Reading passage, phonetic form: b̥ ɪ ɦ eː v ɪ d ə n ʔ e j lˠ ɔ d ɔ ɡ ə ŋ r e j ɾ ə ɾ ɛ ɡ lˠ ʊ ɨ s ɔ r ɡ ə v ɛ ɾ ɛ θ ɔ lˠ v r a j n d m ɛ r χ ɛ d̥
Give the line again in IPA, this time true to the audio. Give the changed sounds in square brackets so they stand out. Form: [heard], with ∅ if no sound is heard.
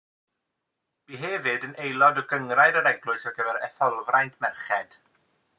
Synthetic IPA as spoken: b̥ [i] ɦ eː v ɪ d ə n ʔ e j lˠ ɔ d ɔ ɡ ə ŋ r [a] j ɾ ə ɾ ɛ ɡ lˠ ʊ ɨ s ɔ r ɡ ə v ɛ ɾ ɛ θ ɔ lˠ v r a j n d m ɛ r χ ɛ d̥